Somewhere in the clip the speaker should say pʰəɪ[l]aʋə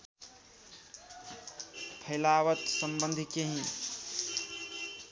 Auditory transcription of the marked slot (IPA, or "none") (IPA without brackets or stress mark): l